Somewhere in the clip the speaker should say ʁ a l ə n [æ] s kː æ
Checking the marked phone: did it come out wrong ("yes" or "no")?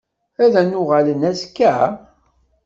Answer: no